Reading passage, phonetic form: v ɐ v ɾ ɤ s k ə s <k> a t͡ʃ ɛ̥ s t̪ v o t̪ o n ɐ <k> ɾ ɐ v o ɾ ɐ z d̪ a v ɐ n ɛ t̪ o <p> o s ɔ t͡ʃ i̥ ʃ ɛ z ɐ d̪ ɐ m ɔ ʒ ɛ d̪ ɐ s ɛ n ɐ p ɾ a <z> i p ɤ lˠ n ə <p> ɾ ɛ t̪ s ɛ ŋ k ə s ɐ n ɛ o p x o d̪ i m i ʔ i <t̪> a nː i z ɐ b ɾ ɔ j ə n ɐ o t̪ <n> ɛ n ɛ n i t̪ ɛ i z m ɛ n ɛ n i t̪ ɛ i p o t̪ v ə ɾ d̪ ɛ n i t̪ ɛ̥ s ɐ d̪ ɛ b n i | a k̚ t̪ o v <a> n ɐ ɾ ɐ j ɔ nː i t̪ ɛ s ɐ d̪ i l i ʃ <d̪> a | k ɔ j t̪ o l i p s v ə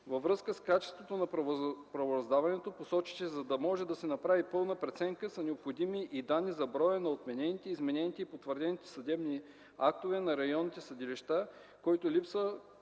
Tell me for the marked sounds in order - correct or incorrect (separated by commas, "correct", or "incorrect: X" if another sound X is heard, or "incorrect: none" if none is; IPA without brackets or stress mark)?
correct, incorrect: p, correct, incorrect: v, correct, incorrect: d̪, incorrect: m, incorrect: ɛ, incorrect: t̪